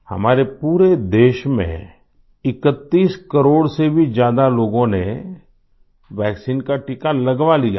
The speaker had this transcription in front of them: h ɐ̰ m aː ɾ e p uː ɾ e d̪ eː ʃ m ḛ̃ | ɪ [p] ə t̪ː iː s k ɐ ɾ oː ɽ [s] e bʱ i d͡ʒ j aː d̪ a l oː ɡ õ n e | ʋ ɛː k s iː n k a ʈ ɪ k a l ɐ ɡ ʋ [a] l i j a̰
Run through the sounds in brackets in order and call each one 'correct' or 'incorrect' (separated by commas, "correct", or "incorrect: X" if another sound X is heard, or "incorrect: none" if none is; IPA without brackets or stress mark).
incorrect: k, correct, correct